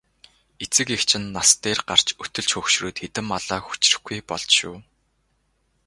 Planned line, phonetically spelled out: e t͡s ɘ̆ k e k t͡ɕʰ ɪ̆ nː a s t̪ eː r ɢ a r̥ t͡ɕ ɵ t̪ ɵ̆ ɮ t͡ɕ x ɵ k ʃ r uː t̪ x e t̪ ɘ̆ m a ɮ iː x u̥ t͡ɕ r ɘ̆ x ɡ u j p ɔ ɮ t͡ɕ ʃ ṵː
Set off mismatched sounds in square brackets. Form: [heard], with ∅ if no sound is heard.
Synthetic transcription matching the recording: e t͡s ɘ̆ k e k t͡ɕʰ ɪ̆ nː a s t̪ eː r ɢ a r̥ t͡ɕ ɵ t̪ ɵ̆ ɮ t͡ɕ x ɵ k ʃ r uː t̪ x e t̪ ɘ̆ m a ɮ [aː] x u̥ t͡ɕ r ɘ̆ x ɡ u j p ɔ ɮ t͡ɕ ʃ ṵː